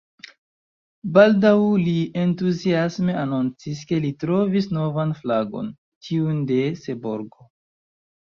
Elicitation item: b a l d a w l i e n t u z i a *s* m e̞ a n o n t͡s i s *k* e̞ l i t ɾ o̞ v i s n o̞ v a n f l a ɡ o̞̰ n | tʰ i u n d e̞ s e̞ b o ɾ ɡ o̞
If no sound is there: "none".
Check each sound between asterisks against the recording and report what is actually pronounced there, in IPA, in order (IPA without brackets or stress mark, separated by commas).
s, k